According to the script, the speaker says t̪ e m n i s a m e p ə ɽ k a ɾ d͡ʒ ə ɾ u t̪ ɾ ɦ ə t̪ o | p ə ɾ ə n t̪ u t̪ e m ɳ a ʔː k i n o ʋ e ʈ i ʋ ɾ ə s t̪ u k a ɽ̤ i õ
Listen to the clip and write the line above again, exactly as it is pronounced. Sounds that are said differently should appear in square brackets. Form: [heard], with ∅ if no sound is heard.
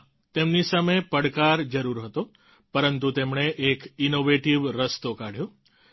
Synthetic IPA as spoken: t̪ e m n i s a m e p ə ɽ k a ɾ d͡ʒ ə ɾ u [∅] ɾ ɦ ə t̪ o | p ə ɾ ə n t̪ u t̪ e m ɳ [e] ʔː k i n o ʋ e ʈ i ʋ ɾ ə s t̪ [o] k a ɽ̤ [j] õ

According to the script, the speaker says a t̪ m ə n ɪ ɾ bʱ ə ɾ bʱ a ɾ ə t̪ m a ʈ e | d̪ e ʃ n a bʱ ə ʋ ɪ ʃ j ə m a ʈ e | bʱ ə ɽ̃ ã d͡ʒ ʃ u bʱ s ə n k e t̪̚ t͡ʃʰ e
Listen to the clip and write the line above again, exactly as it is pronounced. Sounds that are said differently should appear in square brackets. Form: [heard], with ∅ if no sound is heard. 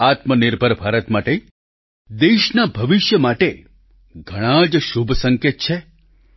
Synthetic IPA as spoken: a t̪ m ə n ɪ ɾ bʱ ə ɾ bʱ a ɾ ə t̪ m a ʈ e | d̪ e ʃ n a bʱ ə ʋ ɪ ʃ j ə m a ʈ e | [ɡʱ] ə ɽ̃ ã d͡ʒ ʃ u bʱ s ə [ŋ] k e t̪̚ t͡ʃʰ e

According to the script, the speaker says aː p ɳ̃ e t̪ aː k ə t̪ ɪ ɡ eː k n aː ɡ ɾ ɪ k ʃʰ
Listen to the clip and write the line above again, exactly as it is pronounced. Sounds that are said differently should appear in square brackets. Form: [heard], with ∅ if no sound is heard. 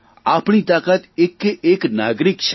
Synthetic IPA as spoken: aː p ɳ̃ [i] t̪ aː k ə t̪ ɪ [k] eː k n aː ɡ ɾ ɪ k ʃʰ

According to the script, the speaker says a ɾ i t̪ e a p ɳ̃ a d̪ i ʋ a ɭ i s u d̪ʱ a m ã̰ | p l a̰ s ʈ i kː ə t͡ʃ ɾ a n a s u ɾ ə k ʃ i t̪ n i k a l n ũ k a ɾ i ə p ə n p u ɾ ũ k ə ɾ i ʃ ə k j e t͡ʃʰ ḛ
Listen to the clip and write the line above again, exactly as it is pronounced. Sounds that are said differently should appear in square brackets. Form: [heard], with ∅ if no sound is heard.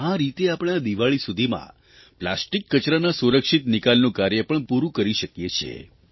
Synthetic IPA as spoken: a ɾ i t̪ e a p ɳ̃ a d̪ i ʋ a ɭ i s u d̪ʱ [i] m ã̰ | p l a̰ s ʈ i kː ə t͡ʃ ɾ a n a s u ɾ ə k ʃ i t̪ n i k a l n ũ k a ɾ [j] ə p ə [ɳ] p u ɾ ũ k ə ɾ i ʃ ə k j e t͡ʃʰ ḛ

